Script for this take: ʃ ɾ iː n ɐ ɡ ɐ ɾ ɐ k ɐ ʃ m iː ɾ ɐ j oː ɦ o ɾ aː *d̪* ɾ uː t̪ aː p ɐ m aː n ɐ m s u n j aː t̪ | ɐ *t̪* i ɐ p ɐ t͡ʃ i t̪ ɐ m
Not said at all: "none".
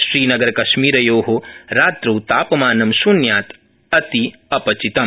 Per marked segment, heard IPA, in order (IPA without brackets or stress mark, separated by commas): t̪, t̪